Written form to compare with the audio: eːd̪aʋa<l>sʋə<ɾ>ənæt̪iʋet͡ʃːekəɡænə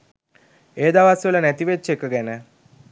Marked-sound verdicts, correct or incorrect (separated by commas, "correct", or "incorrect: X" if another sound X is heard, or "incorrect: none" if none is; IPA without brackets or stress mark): incorrect: none, incorrect: l